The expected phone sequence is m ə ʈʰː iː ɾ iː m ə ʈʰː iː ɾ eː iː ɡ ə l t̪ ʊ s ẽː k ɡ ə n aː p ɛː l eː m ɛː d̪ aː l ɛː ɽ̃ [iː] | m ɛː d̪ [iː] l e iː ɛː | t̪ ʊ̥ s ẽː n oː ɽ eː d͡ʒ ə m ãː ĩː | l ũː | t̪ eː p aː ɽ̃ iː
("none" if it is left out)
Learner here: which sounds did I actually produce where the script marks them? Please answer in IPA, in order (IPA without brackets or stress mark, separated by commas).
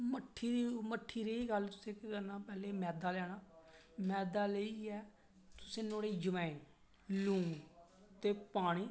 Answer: aː, aː